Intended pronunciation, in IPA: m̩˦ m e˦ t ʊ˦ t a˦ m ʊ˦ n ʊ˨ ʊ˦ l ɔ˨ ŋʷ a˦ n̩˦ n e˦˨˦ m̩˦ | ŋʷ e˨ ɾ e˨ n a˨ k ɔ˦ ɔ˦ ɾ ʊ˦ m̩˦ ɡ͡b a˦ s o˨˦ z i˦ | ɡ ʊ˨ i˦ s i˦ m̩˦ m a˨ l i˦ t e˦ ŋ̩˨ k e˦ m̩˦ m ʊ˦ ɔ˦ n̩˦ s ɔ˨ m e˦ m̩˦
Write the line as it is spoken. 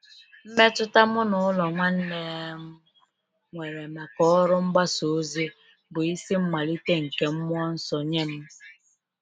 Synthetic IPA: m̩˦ m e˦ t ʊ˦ t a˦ m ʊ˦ n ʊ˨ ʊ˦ l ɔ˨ ŋʷ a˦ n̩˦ n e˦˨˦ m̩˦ | ŋʷ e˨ ɾ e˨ m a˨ k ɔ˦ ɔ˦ ɾ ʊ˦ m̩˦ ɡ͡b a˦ s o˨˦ z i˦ | b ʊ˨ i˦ s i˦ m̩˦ m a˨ l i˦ t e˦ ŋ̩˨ k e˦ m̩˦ m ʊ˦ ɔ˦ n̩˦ s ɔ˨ ɲ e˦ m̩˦